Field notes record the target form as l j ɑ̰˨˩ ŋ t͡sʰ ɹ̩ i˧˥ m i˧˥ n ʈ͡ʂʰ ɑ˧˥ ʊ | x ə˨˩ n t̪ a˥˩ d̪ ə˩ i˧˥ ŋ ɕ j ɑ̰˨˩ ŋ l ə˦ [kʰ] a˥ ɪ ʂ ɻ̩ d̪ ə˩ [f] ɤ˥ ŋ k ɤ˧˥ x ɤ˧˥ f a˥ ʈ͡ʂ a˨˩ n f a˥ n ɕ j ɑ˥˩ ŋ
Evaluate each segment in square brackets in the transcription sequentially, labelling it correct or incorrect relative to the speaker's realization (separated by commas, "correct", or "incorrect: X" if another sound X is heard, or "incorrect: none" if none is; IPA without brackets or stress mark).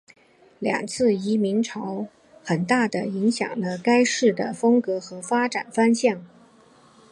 incorrect: k, correct